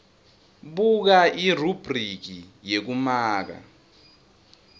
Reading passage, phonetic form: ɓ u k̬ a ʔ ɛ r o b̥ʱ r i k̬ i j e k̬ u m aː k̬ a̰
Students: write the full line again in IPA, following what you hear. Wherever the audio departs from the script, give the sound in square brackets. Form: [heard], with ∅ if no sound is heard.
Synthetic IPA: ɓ u k̬ a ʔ [i] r [u] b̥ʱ r i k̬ i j e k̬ u m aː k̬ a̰